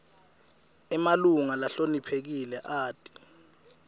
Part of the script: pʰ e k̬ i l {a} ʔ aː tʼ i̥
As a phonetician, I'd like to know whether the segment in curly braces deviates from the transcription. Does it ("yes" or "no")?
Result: yes